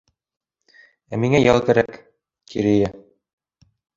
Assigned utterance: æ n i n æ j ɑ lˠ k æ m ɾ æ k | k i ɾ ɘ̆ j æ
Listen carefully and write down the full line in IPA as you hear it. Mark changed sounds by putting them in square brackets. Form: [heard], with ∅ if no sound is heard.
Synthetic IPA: æ [m] i [ŋ] æ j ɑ lˠ k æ [∅] ɾ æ k | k i ɾ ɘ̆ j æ